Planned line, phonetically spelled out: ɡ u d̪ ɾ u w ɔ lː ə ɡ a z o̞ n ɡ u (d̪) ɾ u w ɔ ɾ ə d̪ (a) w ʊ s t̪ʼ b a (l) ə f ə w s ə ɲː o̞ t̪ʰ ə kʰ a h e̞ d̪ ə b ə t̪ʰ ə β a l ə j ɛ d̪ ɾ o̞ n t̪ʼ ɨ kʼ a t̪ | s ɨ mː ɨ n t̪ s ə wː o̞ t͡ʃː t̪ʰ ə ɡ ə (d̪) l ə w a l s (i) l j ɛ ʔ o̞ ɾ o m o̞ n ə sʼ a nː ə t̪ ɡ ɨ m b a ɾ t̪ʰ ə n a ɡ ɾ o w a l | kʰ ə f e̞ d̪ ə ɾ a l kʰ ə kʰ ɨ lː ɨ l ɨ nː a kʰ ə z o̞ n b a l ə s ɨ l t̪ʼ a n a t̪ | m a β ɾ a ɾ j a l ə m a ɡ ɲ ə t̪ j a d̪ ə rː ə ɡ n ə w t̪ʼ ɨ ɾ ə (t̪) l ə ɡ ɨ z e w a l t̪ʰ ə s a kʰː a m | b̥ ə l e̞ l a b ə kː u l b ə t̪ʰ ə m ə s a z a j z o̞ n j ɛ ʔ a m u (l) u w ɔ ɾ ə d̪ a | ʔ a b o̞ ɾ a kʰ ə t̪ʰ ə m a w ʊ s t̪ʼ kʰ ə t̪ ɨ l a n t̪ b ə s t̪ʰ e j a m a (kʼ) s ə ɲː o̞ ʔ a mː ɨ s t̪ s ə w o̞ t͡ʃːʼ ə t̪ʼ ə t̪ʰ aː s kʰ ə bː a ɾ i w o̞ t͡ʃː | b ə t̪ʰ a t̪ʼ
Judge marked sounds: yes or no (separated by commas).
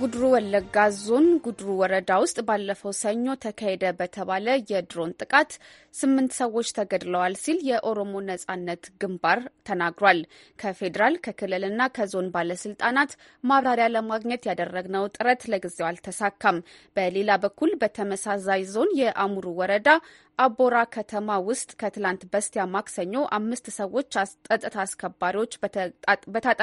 yes, yes, no, yes, yes, yes, no, no